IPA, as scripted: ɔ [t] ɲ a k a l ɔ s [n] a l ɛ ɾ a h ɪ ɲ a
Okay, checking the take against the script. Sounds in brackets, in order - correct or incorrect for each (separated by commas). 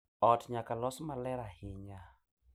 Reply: correct, incorrect